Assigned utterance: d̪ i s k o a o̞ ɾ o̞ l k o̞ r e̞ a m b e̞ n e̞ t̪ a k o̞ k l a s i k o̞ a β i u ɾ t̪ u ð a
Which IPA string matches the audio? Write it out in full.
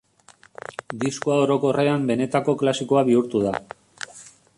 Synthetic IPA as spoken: d̪ i s k o a o̞ ɾ o̞ k o̞ r e̞ a m b e̞ n e̞ t̪ a k o̞ k l a s i k o̞ a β i u ɾ t̪ u ð a